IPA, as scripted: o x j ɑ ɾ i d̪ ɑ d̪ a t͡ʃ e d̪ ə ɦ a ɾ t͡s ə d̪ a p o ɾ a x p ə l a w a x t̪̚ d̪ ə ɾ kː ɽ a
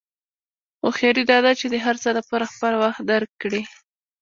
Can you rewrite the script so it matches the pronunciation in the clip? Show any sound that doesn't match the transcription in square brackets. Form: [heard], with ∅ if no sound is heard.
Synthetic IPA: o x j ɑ ɾ i d̪ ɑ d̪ a t͡ʃ e d̪ ə ɦ a ɾ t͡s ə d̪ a p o ɾ a x p ə l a w a x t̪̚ d̪ [a] ɾ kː ɽ [i]